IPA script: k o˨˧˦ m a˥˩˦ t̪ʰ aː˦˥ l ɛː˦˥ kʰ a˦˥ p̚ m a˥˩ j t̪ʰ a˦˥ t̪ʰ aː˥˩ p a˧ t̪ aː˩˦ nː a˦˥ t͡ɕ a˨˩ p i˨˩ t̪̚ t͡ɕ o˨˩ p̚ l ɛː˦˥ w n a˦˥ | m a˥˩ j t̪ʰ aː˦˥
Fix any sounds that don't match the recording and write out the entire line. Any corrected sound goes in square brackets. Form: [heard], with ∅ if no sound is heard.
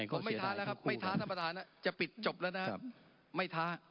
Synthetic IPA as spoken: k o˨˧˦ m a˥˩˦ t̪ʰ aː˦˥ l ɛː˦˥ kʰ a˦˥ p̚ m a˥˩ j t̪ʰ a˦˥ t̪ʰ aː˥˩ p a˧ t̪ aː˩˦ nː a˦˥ t͡ɕ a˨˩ p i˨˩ t̪̚ t͡ɕ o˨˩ p̚ l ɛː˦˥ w n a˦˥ | m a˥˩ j t̪ʰ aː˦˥